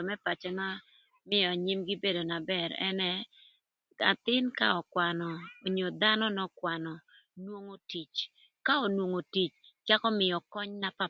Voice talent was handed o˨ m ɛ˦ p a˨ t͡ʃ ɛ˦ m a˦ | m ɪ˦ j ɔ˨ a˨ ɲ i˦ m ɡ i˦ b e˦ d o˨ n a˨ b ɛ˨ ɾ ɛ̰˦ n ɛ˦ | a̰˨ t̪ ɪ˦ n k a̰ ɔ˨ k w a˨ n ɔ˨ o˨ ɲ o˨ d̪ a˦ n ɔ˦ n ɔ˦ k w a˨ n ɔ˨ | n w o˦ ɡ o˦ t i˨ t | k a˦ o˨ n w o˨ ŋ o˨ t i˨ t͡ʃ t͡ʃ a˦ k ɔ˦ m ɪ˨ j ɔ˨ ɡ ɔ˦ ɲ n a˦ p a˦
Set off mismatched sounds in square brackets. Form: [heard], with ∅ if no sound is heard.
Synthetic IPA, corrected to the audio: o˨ m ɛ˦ p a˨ t͡ʃ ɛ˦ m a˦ | m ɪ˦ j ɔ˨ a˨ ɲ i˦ m ɡ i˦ b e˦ d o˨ n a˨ b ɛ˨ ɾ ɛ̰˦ n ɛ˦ | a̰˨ t̪ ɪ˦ n k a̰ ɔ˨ k w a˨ n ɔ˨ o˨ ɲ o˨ d̪ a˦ n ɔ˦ n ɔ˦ k w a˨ n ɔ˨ | n w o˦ [ŋ] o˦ t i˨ [t͡ʃ] | k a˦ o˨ n w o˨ ŋ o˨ t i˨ t͡ʃ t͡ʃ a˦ k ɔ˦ m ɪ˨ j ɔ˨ [k] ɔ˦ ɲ n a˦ p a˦